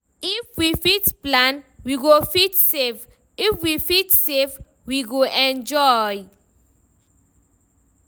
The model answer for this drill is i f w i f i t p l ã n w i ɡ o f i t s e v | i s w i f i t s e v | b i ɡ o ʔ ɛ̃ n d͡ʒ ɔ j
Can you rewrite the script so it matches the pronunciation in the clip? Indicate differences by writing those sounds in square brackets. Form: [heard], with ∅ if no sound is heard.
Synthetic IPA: i f w i f i t p l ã n w i ɡ o f i t s e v | i [f] w i f i t s e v | [w] i ɡ o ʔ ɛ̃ n d͡ʒ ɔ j

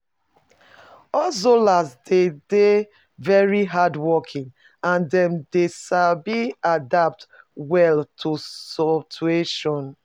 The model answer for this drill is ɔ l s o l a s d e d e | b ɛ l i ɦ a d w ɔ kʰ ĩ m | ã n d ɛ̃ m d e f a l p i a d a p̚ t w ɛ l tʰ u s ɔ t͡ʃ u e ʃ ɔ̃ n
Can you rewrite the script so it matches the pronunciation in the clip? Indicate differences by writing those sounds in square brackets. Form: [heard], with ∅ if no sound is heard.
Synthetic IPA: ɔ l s o l a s d e d e | [v] ɛ [ɹ] i ɦ a d w ɔ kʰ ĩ [ŋ] | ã n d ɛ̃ m d e [ʃ] a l [b] i a d a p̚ t w ɛ l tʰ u s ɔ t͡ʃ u e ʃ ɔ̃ n

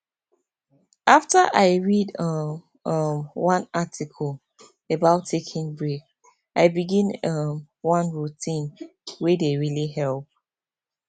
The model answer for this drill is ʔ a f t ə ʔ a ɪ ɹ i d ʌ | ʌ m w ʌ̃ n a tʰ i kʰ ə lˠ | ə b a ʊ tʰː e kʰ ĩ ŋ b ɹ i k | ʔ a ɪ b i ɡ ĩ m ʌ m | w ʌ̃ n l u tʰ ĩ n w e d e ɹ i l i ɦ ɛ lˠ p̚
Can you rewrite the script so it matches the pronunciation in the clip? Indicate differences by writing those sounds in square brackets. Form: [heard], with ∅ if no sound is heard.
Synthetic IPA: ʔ a f t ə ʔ a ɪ ɹ i d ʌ | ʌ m w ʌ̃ n a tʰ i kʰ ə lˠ | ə b a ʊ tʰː e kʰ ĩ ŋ b ɹ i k | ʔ a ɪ b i ɡ ĩ [n] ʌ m | w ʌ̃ n [ɹ] u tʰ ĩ n w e d e ɹ i l i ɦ ɛ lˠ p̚

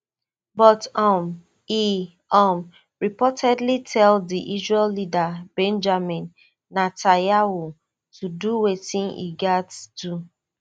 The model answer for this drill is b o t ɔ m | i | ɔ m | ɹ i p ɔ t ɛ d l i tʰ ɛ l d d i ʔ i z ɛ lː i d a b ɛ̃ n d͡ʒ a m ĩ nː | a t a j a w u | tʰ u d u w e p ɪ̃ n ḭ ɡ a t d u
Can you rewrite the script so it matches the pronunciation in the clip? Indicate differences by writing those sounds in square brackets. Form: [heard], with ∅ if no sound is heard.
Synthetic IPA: b [ɔ] t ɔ m | i | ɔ m | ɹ i p ɔ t ɛ d l i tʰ ɛ l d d i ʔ i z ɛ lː i d a b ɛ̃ n d͡ʒ a m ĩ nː | a t a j a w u | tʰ u d u w e [t] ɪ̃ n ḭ ɡ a t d u

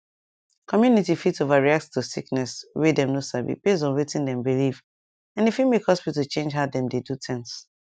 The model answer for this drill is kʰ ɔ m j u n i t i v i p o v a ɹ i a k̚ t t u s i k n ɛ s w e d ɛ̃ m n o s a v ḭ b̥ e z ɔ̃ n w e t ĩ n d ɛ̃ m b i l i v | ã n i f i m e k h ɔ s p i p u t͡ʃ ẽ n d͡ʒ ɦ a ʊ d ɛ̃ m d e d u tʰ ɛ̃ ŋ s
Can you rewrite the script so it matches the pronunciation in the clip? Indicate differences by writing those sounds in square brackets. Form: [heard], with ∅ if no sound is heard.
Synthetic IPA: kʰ ɔ m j u n i t i [f] i [t] o v a ɹ i a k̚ t t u s i k n ɛ s w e d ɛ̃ m n o s a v ḭ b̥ e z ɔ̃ n w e t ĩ n d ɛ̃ m b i l i v | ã n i f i m e k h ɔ s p i [t] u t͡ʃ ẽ n d͡ʒ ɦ a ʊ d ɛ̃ m d e d u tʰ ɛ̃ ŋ s

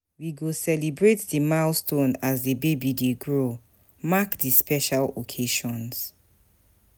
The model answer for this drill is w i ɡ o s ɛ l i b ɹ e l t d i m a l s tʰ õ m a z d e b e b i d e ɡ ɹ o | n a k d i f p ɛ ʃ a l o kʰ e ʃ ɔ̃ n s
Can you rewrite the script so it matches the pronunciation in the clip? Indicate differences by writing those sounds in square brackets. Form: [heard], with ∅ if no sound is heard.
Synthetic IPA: w i ɡ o s ɛ l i b ɹ e [∅] t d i m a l s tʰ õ [n] a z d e b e b i d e ɡ ɹ o | [m] a k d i [s] p ɛ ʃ a l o kʰ e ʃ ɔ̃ n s

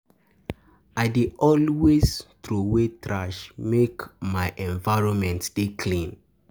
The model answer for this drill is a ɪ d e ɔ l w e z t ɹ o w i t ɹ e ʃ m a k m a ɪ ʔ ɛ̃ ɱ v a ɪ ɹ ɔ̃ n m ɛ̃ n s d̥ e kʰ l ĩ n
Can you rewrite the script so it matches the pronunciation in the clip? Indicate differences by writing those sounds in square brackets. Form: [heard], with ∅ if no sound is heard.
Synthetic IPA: a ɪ d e ɔ l w e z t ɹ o w [e] t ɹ [a] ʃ m [e] k m a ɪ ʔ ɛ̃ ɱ v a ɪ ɹ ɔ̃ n m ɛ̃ n [t] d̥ e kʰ l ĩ n

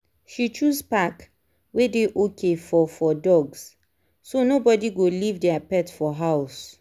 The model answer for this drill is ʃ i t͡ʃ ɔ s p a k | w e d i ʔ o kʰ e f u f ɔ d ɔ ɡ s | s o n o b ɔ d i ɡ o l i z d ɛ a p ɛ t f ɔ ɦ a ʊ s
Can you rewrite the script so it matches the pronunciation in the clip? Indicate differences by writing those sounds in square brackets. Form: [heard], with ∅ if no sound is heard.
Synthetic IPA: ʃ i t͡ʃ [u] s p a k | w e d [e] ʔ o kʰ e f [ɔ] f ɔ d ɔ ɡ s | s o n o b ɔ d i ɡ o l i [v] d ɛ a p ɛ t f ɔ ɦ a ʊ s

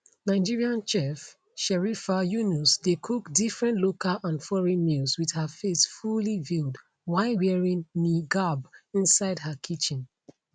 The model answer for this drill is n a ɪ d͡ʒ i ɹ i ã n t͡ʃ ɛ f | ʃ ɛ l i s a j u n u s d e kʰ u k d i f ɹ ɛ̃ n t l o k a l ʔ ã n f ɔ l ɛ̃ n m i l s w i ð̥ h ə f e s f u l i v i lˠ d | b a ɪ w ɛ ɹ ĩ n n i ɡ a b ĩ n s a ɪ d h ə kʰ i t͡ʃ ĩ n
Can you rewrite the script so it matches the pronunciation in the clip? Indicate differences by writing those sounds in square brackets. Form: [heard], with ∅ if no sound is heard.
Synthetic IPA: n a ɪ d͡ʒ i ɹ i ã n t͡ʃ ɛ f | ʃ ɛ [ɹ] i [f] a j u n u s d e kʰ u k d i f ɹ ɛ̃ n t l o k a l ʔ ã n f ɔ [ɹ] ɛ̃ n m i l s w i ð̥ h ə f e s f u l i v i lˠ d | [w] a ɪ w ɛ ɹ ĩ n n i ɡ a b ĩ n s a ɪ d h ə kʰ i t͡ʃ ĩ n

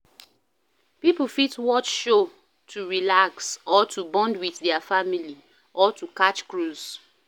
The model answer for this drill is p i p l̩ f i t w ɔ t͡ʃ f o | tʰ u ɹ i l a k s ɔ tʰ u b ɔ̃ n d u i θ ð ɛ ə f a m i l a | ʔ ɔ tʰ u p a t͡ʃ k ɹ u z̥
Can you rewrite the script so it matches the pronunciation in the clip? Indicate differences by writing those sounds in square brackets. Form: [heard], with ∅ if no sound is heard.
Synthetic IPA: p i p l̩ f i t w ɔ t͡ʃ [ʃ] o | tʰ u ɹ i l a k s ɔ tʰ u b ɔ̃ n d [w] i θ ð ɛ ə f a m i l [i] | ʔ ɔ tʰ u [k] a t͡ʃ k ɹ u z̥

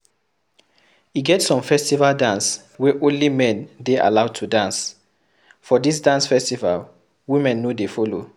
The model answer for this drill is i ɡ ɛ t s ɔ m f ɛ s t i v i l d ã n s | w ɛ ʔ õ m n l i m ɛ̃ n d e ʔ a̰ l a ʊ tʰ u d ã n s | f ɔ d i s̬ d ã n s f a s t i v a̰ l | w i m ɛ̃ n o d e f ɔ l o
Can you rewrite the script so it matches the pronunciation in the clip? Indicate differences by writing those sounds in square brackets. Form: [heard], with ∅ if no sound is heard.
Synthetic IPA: i ɡ ɛ t s [ɔ̃] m f ɛ s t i v [a] l d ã n s | w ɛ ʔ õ [∅] n l i m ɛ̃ n d e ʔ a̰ l a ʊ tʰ u d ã n s | f ɔ d i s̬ d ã n s f [ɛ] s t i v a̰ l | w i m ɛ̃ [nː] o d e f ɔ l o

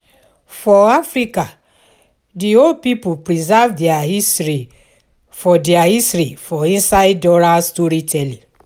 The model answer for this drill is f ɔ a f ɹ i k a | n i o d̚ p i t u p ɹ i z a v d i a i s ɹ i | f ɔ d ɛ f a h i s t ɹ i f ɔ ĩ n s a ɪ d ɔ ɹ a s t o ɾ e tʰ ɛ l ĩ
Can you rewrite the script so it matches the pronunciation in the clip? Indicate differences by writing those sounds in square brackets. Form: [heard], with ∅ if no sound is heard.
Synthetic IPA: f ɔ a f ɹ i k a | [d] i o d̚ p i [p] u p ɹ i z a v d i a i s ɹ i | f ɔ d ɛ [∅] a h i s t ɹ i f ɔ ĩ n s a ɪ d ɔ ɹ a s t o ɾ [i] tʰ ɛ l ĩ

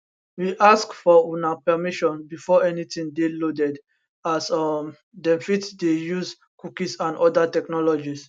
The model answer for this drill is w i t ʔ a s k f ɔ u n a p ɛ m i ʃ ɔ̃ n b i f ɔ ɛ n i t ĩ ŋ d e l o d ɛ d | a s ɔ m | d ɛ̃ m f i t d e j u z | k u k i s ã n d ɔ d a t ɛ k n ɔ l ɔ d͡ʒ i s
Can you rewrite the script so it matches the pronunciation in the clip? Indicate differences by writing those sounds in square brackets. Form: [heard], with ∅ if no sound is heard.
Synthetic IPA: w i [∅] ʔ a s k f ɔ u n a p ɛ m i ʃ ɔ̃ n b i f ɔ ɛ n i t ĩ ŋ d e l o d ɛ d | a s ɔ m | d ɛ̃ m f i t d e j u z | k u k i s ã n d ɔ d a t ɛ k n ɔ l ɔ d͡ʒ i s

